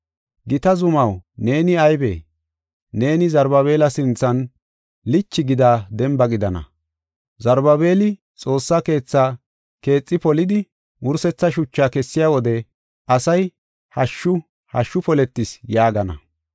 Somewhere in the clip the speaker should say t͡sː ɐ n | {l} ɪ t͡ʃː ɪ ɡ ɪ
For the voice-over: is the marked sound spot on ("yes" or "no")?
yes